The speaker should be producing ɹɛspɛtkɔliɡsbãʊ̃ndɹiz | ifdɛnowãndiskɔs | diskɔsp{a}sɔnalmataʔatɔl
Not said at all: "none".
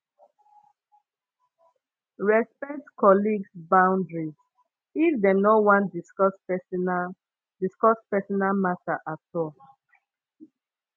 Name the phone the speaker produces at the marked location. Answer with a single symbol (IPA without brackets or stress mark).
ɛ